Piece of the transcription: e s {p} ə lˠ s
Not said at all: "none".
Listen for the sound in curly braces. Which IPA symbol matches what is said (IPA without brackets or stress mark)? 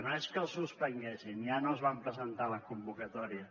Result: k